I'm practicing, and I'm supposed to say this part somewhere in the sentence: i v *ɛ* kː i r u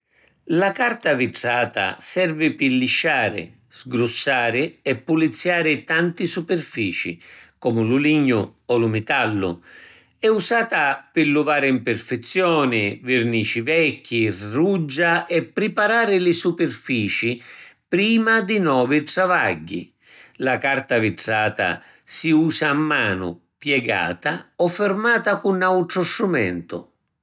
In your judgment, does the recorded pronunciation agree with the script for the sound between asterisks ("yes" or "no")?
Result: yes